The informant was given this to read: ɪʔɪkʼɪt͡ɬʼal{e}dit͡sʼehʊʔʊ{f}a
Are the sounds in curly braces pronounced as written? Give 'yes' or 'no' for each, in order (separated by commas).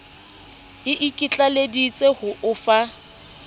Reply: yes, yes